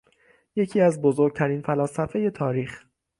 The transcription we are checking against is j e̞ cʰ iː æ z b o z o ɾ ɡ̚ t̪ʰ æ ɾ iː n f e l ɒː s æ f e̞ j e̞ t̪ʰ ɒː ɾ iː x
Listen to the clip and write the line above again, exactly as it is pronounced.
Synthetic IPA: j e̞ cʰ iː æ z b o z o ɾ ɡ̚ t̪ʰ æ ɾ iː n f æ l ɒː s æ f e̞ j e̞ t̪ʰ ɒː ɾ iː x